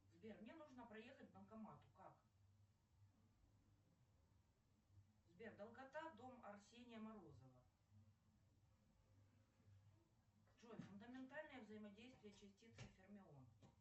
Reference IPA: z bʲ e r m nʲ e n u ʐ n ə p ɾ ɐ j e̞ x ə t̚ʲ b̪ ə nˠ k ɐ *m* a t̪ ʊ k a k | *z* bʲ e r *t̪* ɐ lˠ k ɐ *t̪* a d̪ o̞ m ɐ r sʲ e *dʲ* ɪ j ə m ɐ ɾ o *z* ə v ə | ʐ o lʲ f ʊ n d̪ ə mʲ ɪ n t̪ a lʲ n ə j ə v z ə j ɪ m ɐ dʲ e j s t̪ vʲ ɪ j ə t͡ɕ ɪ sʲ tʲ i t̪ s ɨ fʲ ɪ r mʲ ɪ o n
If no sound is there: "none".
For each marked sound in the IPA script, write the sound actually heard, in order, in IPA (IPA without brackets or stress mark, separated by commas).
m, z, d̪, t̪, nʲ, z